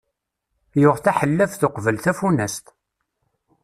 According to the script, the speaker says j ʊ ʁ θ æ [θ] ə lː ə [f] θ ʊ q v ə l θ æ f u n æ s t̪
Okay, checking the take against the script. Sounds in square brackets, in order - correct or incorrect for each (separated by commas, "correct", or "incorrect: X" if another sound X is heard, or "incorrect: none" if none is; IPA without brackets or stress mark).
incorrect: ħ, correct